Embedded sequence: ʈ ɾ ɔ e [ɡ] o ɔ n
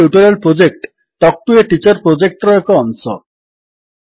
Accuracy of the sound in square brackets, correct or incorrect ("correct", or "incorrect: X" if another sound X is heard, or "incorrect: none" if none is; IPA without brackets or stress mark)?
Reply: incorrect: k